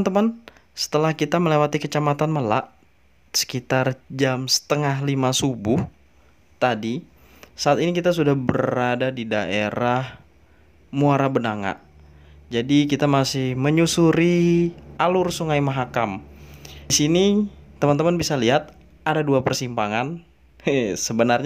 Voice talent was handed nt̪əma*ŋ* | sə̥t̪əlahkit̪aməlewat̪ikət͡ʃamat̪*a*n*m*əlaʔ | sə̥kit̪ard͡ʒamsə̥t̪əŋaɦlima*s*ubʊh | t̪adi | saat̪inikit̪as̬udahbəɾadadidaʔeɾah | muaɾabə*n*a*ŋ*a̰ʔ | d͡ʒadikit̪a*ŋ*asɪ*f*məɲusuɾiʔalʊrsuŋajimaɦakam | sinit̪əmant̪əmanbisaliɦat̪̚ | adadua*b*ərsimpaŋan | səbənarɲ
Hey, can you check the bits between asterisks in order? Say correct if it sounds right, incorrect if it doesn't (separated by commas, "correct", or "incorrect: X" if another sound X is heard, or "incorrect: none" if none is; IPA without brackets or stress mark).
incorrect: n, correct, correct, correct, correct, correct, incorrect: m, incorrect: h, incorrect: p